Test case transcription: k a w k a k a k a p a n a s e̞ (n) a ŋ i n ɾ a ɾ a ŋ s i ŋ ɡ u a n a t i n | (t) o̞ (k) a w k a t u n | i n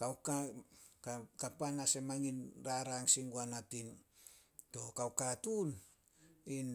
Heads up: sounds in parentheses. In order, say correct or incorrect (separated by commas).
incorrect, correct, correct